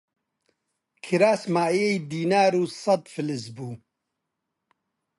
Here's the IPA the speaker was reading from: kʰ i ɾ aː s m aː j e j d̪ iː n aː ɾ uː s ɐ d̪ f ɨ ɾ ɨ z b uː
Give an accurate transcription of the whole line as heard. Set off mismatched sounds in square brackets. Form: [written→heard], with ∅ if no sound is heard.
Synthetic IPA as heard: kʰ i ɾ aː s m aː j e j d̪ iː n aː ɾ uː s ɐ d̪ f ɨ [ɾ→l] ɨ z b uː